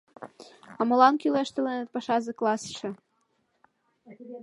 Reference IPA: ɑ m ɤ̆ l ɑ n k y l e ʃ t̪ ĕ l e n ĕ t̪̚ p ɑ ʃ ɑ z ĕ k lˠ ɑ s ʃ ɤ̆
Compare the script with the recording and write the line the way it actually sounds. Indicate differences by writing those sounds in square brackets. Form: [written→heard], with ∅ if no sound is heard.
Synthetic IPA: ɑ m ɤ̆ l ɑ n k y l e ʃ t̪ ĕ l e n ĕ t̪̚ p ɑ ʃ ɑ z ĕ k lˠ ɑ s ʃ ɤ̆

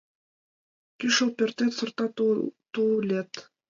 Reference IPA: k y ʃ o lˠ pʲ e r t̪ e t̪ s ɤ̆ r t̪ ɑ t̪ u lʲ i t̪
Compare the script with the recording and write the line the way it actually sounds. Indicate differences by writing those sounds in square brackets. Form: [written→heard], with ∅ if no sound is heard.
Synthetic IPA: k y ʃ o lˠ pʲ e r t̪ e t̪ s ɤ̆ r t̪ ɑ t̪ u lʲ [i→e] t̪

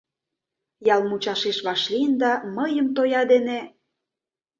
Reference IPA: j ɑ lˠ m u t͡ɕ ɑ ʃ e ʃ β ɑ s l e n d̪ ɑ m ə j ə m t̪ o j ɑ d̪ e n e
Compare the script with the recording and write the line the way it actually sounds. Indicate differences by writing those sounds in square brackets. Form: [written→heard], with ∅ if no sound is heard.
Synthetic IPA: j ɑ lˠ m u t͡ɕ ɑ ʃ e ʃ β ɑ [s→ʃ] l [e→i] n d̪ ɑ m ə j ə m t̪ o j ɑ d̪ e n e

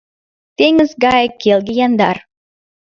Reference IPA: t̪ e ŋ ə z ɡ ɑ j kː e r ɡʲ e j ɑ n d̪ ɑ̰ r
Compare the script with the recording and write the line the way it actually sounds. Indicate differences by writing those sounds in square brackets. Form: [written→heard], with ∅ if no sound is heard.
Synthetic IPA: t̪ e ŋ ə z ɡ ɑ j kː e [r→l] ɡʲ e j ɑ n d̪ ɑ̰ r

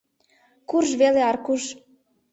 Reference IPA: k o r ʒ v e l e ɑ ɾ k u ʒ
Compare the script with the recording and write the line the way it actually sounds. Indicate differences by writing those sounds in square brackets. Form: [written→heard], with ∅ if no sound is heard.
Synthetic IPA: k [o→u] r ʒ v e l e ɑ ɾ k u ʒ

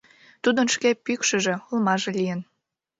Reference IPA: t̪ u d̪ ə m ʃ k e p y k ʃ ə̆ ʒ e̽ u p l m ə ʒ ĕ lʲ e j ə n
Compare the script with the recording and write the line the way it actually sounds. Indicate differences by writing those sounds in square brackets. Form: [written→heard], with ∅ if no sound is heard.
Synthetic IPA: t̪ u d̪ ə [m→n] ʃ k e p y k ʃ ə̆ ʒ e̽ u [p→∅] l m [ə→ɑ] ʒ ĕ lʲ [e→i] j ə n

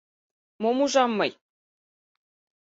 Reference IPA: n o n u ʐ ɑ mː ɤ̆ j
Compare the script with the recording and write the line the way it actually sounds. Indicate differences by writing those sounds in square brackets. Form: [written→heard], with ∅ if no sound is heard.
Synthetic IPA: [n→m] o [n→m] u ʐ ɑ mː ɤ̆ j

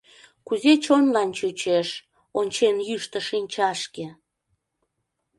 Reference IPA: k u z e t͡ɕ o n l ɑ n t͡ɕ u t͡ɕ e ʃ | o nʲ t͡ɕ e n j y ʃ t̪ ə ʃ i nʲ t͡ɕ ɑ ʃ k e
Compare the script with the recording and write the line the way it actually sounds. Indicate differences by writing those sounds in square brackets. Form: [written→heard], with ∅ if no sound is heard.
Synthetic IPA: k u z e t͡ɕ o n l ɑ n t͡ɕ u t͡ɕ e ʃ | o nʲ t͡ɕ e n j y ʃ t̪ ə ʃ i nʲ t͡ɕ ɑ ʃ k e

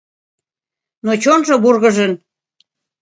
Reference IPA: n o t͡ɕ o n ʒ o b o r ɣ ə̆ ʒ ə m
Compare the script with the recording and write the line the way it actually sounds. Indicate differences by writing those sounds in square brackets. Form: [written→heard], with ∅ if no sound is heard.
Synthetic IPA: n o t͡ɕ o n ʒ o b [o→u] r ɣ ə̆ ʒ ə [m→n]

